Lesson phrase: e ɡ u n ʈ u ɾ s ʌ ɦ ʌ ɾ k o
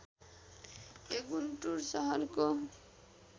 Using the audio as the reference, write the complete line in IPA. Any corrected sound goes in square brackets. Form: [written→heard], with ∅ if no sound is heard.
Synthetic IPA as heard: e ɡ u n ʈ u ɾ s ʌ ɦ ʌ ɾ k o